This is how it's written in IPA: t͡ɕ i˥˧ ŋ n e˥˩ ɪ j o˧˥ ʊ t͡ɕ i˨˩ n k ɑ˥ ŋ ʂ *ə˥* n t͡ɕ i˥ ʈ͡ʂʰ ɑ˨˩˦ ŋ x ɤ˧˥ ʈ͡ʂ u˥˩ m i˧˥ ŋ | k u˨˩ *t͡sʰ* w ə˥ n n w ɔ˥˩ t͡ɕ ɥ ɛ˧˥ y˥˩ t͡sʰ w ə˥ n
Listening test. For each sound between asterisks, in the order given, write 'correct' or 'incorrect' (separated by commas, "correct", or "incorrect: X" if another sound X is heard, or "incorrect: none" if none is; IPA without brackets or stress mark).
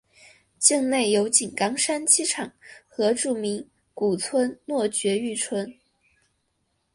incorrect: a˥, correct